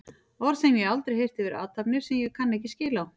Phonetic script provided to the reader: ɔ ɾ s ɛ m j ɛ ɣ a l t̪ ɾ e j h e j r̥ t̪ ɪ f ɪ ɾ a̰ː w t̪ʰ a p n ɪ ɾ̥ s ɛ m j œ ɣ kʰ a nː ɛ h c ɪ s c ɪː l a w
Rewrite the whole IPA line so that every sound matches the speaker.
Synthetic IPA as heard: ɔ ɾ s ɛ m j ɛ ɣ a l t̪ ɾ e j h e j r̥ t̪ ɪ v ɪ ɾ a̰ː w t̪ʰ a p n ɪ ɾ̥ s ɛ m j ɛ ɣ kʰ a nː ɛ h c ɪ s c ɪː l a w